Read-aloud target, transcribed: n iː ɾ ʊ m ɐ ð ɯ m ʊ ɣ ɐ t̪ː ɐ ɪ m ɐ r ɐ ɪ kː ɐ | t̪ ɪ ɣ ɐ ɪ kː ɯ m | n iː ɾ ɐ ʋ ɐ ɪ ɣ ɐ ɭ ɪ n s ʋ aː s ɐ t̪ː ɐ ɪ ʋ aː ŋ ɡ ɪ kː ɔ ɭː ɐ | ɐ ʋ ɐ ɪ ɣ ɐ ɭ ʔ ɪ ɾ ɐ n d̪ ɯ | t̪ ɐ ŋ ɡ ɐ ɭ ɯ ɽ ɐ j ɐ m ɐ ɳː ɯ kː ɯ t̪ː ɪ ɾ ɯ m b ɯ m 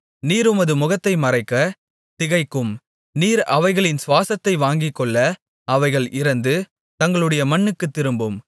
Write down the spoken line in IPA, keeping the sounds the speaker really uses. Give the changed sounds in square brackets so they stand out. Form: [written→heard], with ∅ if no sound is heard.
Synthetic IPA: n iː ɾ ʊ m ɐ ð ɯ m ʊ ɣ ɐ t̪ː ɐ ɪ m ɐ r ɐ ɪ kː ɐ | t̪ ɪ ɣ ɐ ɪ kː ɯ m | n iː ɾ ɐ ʋ ɐ ɪ ɣ ɐ ɭ ɪ n s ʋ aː s ɐ t̪ː ɐ ɪ ʋ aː ŋ ɡ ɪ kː ɔ ɭː ɐ | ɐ ʋ ɐ ɪ ɣ ɐ ɭ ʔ ɪ ɾ ɐ n d̪ ɯ | t̪ ɐ ŋ ɡ ɐ ɭ ɯ ɽ ɐ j ɐ m ɐ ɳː ɯ kː ɯ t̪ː ɪ ɾ ɯ m b ɯ m